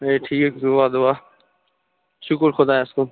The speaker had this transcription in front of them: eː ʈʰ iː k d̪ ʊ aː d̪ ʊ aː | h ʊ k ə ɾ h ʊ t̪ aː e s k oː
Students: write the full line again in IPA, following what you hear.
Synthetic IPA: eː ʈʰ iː k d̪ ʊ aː d̪ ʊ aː | ʃ ʊ k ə ɾ x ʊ d̪ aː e s k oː